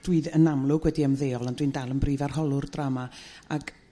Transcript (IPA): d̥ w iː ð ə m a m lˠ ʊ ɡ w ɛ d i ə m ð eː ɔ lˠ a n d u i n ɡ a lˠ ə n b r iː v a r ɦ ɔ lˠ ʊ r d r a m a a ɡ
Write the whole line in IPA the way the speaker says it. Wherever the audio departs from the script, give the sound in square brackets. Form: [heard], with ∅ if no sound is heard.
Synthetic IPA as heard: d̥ w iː ð ə [n] a m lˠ ʊ ɡ w ɛ d i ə m ð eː ɔ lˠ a n d [w] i n [d] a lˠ ə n b r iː v a r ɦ ɔ lˠ ʊ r d r a m a a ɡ